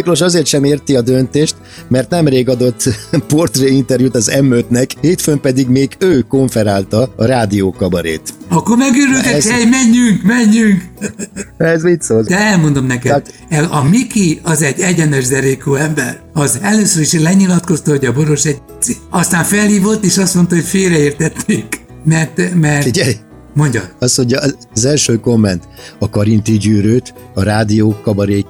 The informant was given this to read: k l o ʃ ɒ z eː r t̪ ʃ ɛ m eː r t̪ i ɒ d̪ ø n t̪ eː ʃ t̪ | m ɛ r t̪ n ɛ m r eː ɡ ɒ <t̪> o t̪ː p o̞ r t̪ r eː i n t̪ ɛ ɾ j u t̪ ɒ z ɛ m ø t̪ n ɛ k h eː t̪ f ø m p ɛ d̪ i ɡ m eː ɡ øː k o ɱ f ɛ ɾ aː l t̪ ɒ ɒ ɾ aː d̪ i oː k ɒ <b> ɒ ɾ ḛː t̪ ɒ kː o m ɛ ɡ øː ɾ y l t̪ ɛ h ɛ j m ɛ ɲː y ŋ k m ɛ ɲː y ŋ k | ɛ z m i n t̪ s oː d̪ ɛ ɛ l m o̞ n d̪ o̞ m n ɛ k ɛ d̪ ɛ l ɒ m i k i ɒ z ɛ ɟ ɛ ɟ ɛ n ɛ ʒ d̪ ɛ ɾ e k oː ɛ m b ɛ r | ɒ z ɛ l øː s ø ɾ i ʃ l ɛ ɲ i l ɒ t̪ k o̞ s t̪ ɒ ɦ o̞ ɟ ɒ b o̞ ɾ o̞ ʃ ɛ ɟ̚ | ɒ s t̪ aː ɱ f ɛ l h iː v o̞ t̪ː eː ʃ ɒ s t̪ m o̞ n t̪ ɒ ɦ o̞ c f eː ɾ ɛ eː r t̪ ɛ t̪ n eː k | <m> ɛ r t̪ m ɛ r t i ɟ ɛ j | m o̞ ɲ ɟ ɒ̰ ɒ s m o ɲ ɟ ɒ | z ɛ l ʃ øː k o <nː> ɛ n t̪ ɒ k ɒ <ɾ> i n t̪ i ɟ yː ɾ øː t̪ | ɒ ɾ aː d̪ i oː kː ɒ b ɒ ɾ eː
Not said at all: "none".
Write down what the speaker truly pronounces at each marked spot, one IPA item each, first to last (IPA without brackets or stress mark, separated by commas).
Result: d̪, b, m, mː, ɾ